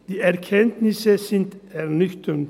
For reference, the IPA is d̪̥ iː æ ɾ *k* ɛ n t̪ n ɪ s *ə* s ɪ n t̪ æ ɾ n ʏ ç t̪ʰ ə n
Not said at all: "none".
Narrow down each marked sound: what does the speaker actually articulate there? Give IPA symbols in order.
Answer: kʰ, ə

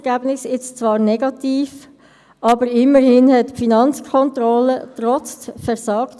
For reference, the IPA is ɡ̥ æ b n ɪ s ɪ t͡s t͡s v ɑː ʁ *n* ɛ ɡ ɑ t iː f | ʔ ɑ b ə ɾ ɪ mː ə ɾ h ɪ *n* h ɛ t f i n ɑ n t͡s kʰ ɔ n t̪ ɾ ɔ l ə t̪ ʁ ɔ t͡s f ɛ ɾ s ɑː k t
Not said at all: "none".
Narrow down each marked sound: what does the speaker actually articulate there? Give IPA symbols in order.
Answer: n, n

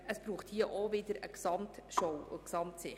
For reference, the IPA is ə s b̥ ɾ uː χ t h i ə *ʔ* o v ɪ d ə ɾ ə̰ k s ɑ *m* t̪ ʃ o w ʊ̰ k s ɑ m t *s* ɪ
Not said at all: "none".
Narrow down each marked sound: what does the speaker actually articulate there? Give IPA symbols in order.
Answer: ʔ, m, s

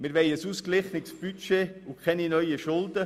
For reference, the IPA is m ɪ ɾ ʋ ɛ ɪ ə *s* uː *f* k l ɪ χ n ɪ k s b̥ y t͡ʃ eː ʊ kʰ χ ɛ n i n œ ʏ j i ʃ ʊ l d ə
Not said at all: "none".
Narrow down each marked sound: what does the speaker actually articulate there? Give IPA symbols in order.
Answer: s, s

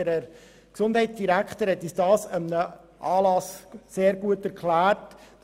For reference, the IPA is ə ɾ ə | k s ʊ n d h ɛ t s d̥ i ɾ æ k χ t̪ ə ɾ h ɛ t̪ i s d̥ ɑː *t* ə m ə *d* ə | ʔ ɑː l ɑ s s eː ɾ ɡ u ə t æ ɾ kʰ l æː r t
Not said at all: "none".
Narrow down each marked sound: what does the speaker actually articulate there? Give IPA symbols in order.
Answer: s, n

